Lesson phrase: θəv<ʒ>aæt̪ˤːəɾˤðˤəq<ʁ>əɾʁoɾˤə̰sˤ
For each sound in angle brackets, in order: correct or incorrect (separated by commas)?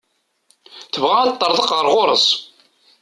incorrect, correct